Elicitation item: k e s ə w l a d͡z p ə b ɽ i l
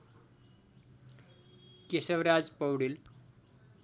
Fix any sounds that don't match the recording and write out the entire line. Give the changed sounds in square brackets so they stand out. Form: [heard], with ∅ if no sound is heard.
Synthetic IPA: k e s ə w [ɾ] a d͡z p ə [w] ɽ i l